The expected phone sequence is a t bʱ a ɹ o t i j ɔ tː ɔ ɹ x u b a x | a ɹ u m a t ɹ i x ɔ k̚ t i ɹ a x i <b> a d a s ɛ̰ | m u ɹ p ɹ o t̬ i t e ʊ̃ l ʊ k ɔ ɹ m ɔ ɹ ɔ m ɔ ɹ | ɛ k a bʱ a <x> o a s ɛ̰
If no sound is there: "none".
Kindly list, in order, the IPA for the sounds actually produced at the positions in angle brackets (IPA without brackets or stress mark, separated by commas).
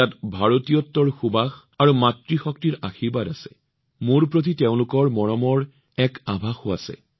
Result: b, x